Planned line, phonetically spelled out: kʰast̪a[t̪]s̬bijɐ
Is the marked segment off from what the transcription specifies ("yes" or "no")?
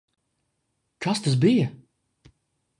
yes